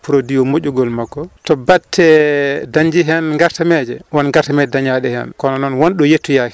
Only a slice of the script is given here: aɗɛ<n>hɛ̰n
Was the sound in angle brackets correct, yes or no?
no